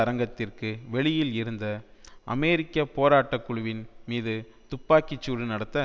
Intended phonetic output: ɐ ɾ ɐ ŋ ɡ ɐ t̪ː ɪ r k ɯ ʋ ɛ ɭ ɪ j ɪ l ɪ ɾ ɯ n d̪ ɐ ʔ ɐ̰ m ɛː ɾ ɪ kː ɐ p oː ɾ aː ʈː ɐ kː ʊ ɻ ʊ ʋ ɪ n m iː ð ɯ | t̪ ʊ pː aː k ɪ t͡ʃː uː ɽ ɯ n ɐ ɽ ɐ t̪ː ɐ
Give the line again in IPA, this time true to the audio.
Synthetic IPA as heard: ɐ ɾ ɐ ŋ ɡ ɐ t̪ː ɪ r k ɯ ʋ ɛ ɭ ɪ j ɪ l ɪ ɾ ɯ n d̪ ɐ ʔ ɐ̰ m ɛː ɾ ɪ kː ɐ p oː ɾ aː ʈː ɐ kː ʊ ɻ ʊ ʋ ɪ n m iː ð ɯ | t̪ ʊ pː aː k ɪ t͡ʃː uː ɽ ɯ n ɐ ɽ ɐ t̪ː ɐ

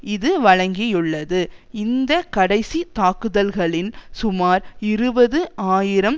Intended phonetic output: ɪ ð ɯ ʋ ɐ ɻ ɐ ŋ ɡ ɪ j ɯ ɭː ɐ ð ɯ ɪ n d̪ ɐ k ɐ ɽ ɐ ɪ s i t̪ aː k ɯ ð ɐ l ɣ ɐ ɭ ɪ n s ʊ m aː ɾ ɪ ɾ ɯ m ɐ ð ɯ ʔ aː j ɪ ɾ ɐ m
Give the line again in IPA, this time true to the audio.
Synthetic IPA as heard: ɪ ð ɯ ʋ ɐ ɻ ɐ ŋ ɡ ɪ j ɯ ɭː ɐ ð ɯ ɪ n d̪ ɐ k ɐ ɽ ɐ ɪ s i t̪ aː k ɯ ð ɐ l ɣ ɐ ɭ ɪ n s ʊ m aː ɾ ɪ ɾ ɯ b ɐ ð ɯ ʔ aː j ɪ ɾ ɐ m

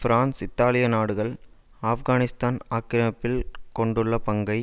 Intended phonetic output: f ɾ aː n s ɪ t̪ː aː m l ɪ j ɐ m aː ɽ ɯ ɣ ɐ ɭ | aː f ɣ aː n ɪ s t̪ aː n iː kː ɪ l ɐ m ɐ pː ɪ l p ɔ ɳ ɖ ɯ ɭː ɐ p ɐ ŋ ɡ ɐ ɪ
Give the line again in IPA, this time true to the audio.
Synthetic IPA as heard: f ɾ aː n s ɪ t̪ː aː l ɪ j ɐ n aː ɽ ɯ ɣ ɐ ɭ | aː f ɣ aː n ɪ s t̪ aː n aː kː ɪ ɾ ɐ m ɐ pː ɪ l k ɔ ɳ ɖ ɯ ɭː ɐ p ɐ ŋ ɡ ɐ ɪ

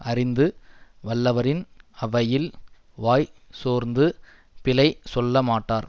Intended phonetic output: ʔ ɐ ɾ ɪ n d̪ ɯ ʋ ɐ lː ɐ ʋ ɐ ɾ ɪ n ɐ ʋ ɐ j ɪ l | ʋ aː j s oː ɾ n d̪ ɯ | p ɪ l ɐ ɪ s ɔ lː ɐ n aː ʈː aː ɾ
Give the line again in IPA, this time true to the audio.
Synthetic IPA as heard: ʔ ɐ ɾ ɪ n d̪ ɯ ʋ ɐ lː ɐ ʋ ɐ ɾ ɪ n ɐ ʋ ɐ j ɪ l | ʋ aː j s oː ɾ n d̪ ɯ | p ɪ l ɐ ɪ s ɔ lː ɐ m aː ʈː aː ɾ

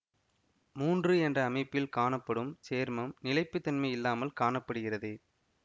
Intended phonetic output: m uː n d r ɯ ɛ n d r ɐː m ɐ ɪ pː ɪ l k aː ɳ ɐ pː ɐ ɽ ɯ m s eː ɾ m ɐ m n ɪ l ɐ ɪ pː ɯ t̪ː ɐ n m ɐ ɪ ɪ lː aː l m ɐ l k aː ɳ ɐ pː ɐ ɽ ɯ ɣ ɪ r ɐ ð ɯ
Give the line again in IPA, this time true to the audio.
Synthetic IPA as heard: m uː n d r ɯ ɛ n d r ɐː m ɐ ɪ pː ɪ l k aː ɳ ɐ pː ɐ ɽ ɯ m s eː ɾ m ɐ m n ɪ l ɐ ɪ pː ɯ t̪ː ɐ n m ɐ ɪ ɪ lː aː m ɐ l k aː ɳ ɐ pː ɐ ɽ ɯ ɣ ɪ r ɐ ð ɯ

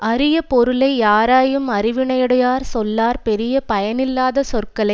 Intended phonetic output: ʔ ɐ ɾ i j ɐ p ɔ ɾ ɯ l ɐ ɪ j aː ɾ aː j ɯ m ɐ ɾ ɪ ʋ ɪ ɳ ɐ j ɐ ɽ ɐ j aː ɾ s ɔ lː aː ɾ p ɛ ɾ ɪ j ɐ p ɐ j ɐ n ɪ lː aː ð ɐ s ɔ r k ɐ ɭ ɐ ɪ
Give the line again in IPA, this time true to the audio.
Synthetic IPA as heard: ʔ ɐ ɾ ɪ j ɐ p ɔ ɾ ɯ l ɐ ɪ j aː ɾ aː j ɯ m ɐ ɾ ɪ ʋ ɪ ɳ ɐ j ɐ ɽ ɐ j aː ɾ s ɔ lː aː ɾ p ɛ ɾ ɪ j ɐ p ɐ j ɐ n ɪ lː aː ð ɐ s ɔ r k ɐ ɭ ɐ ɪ

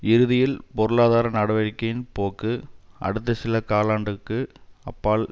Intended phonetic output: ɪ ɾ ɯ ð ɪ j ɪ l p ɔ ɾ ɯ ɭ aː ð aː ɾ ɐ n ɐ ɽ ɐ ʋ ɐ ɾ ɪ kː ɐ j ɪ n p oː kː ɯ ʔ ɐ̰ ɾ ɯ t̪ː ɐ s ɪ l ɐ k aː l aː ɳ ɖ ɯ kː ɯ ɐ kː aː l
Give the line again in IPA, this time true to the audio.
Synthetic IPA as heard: ɪ ɾ ɯ ð ɪ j ɪ l p ɔ ɾ ɯ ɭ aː ð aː ɾ ɐ n ɐ ɽ ɐ ʋ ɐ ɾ ɪ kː ɐ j ɪ n p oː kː ɯ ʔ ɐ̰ ɽ ɯ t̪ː ɐ s ɪ l ɐ k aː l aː ɳ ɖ ɯ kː ɯ ɐ pː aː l

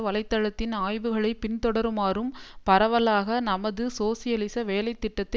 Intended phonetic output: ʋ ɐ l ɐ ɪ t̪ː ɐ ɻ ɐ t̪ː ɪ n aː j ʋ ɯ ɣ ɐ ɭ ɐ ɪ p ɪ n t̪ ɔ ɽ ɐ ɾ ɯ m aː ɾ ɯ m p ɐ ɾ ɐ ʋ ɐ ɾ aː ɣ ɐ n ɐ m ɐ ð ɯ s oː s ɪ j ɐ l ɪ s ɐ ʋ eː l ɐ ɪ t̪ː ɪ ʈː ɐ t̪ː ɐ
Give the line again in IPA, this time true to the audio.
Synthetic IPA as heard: ʋ ɐ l ɐ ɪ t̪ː ɐ ɻ ɐ t̪ː ɪ n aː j ʋ ɯ ɣ ɐ ɭ ɐ ɪ p ɪ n t̪ ɔ ɽ ɐ ɾ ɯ m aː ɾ ɯ m p ɐ ɾ ɐ ʋ ɐ l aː ɣ ɐ n ɐ m ɐ ð ɯ s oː s ɪ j ɐ l ɪ s ɐ ʋ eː l ɐ ɪ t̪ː ɪ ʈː ɐ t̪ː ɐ

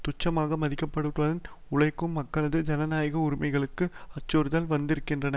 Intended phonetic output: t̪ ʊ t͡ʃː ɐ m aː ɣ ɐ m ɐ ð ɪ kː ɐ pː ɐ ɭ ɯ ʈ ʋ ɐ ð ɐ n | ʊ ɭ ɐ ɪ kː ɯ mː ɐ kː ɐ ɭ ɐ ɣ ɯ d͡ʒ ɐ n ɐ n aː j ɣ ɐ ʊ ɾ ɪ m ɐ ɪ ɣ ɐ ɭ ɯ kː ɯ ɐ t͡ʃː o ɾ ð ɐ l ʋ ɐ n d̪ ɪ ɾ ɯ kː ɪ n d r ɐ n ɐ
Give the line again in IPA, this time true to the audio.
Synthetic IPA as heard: t̪ ʊ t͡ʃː ɐ m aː ɣ ɐ m ɐ ð ɪ kː ɐ pː ɐ ɽ ɯ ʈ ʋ ɐ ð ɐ n | ʊ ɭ ɐ ɪ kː ɯ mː ɐ kː ɐ ɭ ɐ ð ɯ d͡ʒ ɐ n ɐ n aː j ɣ ɐ ʊ ɾ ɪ m ɐ ɪ ɣ ɐ ɭ ɯ kː ɯ ɐ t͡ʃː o ɾ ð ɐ l ʋ ɐ n d̪ ɪ ɾ ɯ kː ɪ n d r ɐ n ɐ

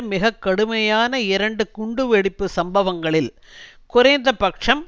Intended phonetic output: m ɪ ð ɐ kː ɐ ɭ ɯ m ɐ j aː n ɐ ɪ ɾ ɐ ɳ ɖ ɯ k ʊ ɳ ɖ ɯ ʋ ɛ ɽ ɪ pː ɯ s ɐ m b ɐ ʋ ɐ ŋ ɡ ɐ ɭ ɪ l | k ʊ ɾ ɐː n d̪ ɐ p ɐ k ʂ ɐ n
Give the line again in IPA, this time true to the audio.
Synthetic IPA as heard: m ɪ ɣ ɐ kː ɐ ɽ ɯ m ɐ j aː n ɐ ɪ ɾ ɐ ɳ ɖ ɯ k ʊ ɳ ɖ ɯ ʋ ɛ ɽ ɪ pː ɯ s ɐ m b ɐ ʋ ɐ ŋ ɡ ɐ ɭ ɪ l | k ʊ ɾ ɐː n d̪ ɐ p ɐ k ʂ ɐ m

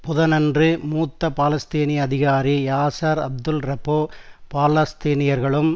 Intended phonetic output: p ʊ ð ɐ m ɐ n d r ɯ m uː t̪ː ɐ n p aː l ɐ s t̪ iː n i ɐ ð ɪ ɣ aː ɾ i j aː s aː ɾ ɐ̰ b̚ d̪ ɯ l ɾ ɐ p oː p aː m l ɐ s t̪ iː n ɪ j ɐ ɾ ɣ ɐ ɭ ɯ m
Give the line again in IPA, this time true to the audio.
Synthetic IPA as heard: p ʊ ð ɐ n ɐ n d r ɯ m uː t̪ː ɐ p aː l ɐ s t̪ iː n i ɐ ð ɪ ɣ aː ɾ i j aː s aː ɾ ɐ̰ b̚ d̪ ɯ l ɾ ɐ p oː p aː l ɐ s t̪ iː n ɪ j ɐ ɾ ɣ ɐ ɭ ɯ m

